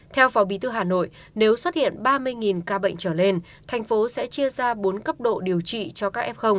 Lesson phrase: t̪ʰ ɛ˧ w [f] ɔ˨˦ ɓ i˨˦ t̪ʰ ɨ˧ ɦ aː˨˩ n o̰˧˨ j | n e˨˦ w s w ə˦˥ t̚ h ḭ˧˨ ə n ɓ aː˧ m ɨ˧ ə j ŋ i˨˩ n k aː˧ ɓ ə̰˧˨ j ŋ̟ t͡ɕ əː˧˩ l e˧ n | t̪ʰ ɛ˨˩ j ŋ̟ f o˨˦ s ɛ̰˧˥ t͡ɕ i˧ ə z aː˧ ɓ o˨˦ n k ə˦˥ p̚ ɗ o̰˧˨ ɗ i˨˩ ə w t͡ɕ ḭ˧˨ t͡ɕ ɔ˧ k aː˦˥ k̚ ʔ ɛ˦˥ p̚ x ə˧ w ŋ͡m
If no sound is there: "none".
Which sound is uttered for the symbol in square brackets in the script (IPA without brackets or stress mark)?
f